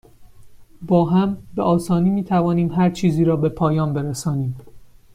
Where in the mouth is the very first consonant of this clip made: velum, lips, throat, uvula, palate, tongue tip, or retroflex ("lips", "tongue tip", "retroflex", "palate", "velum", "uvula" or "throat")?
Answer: lips